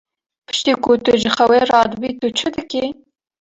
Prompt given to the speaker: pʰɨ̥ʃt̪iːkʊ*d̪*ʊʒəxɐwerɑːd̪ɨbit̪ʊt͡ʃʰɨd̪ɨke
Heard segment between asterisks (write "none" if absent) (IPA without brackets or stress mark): t̪